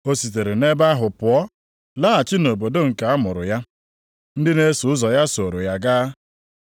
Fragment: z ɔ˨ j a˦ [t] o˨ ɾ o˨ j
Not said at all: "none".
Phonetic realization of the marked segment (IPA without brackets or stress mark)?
s